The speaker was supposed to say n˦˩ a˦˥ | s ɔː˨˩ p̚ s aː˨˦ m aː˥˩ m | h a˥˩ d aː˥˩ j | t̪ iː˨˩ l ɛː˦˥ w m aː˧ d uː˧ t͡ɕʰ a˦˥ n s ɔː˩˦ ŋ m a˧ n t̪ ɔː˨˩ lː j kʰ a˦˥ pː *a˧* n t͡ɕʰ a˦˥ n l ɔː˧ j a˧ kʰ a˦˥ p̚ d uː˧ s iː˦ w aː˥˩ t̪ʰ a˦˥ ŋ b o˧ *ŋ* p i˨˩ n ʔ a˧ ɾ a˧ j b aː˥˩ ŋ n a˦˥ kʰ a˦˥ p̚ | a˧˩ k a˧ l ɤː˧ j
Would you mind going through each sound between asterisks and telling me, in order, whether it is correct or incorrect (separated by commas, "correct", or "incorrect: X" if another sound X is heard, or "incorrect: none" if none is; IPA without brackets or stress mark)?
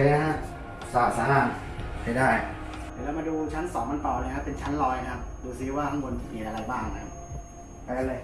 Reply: incorrect: e˧, incorrect: n